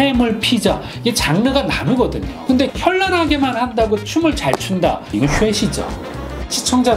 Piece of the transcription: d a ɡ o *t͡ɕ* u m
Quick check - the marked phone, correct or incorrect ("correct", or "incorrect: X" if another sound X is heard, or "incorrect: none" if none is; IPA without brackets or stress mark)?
incorrect: t͡ɕʰ